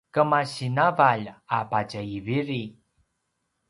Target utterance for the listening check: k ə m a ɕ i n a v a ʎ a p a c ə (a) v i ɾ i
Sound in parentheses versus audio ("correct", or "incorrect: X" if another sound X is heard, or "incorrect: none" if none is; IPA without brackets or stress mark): incorrect: i